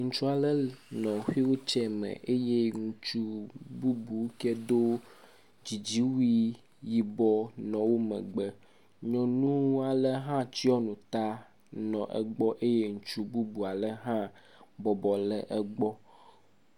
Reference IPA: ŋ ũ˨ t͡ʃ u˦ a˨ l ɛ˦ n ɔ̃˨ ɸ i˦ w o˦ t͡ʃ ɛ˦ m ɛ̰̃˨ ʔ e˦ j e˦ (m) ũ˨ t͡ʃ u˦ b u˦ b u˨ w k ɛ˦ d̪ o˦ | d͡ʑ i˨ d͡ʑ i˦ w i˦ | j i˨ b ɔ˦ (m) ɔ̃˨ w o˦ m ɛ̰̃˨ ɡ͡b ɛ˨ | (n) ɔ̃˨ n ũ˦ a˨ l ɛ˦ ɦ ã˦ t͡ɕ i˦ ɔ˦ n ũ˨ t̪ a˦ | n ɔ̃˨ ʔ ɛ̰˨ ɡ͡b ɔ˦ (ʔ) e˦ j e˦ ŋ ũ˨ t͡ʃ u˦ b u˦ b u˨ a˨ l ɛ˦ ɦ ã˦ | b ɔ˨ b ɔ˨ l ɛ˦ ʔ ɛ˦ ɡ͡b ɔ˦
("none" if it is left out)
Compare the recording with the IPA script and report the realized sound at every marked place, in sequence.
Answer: ŋ, n, ɲ, ʔ

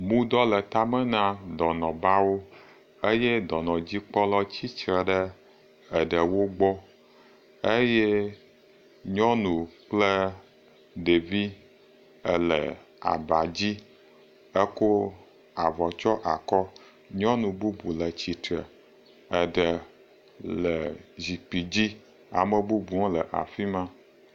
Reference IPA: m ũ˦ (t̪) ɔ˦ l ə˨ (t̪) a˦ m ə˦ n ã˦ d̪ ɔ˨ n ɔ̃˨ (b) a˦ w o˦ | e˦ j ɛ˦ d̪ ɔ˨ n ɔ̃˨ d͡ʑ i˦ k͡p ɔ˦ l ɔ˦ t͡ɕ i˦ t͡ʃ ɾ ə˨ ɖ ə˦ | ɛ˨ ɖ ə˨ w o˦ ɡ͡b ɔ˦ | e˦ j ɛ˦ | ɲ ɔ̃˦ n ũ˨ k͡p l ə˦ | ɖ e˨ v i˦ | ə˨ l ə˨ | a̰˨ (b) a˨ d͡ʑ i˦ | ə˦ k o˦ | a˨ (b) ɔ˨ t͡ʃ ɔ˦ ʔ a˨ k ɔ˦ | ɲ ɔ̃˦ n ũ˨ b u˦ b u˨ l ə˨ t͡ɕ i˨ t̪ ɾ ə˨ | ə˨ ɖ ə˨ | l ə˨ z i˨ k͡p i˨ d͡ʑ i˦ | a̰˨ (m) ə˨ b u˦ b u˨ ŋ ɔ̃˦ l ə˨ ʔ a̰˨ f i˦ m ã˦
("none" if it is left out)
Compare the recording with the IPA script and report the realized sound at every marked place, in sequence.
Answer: d̪, t̪, b, b, v, m

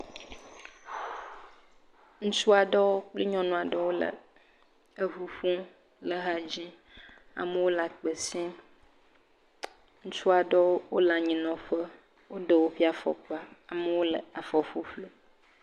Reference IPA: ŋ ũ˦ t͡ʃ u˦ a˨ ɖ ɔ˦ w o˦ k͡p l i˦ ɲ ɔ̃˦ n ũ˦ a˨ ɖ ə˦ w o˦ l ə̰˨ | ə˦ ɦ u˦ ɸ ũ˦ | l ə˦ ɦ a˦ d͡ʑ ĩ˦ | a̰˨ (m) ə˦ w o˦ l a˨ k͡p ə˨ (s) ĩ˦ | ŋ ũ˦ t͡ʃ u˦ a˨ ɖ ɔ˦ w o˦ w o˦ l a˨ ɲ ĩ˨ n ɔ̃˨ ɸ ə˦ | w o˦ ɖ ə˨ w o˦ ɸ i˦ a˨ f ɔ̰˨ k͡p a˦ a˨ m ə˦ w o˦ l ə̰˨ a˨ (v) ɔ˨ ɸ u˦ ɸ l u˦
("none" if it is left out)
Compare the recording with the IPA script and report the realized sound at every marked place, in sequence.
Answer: m, s, f

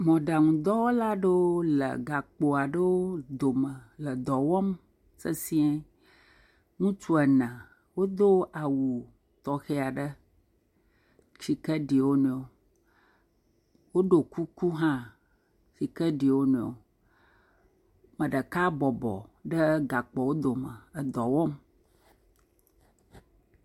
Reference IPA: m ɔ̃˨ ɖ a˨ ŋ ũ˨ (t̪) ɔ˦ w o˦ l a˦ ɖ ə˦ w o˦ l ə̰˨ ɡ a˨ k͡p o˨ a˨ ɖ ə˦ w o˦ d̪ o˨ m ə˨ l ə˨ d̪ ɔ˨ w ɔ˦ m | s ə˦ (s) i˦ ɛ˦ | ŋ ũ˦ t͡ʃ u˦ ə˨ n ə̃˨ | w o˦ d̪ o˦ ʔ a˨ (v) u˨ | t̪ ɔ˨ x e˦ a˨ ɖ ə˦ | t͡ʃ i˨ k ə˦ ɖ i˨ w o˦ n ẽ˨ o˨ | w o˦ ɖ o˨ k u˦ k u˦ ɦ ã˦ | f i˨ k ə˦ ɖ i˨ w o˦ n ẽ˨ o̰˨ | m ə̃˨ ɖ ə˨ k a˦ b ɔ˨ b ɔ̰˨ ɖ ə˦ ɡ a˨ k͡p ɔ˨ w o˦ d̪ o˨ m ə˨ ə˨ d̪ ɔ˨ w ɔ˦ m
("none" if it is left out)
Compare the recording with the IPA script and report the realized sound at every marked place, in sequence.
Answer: d̪, s, w

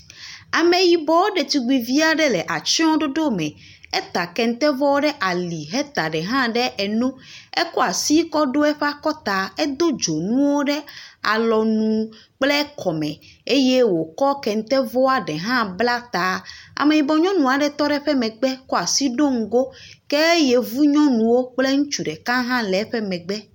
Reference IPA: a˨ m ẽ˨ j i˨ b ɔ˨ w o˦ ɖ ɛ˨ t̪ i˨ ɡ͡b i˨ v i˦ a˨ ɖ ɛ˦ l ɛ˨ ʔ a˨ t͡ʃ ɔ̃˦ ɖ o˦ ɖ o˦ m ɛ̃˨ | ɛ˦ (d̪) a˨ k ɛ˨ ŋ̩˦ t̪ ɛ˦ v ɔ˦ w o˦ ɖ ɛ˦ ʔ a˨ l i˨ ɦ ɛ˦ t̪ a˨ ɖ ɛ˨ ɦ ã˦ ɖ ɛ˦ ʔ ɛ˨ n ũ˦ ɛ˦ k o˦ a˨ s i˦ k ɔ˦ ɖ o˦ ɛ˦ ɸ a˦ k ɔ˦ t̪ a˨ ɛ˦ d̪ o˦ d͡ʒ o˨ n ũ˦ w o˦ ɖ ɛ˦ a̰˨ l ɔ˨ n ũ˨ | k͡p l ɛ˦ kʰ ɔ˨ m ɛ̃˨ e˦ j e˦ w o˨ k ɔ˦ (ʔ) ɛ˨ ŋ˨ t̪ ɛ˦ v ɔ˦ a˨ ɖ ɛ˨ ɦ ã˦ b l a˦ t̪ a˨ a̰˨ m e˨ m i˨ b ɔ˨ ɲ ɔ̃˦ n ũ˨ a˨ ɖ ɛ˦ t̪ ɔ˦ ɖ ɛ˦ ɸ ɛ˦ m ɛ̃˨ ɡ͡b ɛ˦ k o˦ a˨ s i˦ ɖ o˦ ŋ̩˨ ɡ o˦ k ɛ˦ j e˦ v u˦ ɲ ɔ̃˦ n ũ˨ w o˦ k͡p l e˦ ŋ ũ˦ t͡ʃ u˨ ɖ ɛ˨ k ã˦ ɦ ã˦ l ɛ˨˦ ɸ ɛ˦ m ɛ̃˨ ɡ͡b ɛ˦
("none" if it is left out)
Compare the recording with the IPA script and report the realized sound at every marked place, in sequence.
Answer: t̪, k

